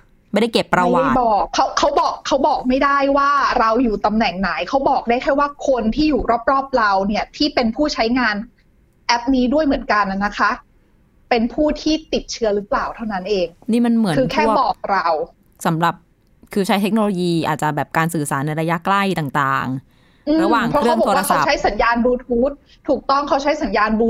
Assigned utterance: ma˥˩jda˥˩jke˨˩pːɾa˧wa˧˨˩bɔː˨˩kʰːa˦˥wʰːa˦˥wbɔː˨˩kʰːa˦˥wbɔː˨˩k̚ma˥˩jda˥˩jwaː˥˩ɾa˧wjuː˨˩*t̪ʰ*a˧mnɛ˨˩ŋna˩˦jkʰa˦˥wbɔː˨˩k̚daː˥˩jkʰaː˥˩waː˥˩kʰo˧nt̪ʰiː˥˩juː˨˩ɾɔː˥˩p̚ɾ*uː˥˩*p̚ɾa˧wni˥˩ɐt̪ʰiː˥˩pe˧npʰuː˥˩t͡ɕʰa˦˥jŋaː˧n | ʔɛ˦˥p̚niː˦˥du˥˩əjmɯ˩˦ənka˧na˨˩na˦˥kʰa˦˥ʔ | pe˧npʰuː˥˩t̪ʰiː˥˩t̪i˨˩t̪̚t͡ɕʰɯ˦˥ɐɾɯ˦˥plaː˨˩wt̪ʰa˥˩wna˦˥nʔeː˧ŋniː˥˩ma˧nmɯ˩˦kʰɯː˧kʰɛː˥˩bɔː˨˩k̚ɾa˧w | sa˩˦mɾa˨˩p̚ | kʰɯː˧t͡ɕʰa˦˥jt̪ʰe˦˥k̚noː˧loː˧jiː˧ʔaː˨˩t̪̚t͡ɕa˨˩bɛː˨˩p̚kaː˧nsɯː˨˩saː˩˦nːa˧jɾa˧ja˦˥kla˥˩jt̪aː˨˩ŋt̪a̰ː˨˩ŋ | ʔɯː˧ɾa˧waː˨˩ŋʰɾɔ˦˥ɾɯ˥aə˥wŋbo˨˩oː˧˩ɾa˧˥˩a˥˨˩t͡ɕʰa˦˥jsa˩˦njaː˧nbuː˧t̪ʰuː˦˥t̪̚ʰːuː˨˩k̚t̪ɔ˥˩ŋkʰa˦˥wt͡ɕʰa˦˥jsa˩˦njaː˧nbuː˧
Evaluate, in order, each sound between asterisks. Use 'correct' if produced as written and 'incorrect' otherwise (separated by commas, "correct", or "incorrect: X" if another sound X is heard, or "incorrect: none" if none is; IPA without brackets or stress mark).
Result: incorrect: t̪, incorrect: ɔː˥˩